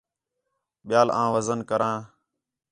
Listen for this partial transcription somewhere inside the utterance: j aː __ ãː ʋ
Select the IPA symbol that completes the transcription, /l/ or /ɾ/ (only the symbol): l